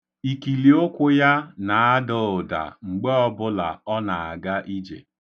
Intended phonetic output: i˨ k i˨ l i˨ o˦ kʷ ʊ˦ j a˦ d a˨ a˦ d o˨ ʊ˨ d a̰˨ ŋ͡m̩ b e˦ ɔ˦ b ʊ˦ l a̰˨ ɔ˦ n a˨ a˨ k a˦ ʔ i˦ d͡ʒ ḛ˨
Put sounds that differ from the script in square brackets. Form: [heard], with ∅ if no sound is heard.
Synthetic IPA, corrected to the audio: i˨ k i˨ l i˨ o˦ kʷ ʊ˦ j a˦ [n] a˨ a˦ d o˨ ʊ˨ d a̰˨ ŋ͡m̩ [ɡ͡b] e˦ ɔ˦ b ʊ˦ l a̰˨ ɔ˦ n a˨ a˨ [ɡ] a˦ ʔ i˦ d͡ʒ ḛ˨